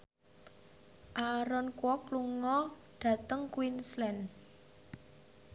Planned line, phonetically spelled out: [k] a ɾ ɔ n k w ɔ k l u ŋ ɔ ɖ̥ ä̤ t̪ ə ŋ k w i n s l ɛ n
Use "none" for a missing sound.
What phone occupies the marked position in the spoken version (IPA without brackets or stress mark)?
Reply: ʔ